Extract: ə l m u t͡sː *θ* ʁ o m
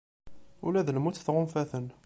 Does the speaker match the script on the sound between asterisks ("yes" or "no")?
yes